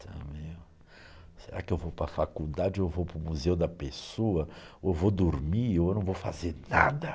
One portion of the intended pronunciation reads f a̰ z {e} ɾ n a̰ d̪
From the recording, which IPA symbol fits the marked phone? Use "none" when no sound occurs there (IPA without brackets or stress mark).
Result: e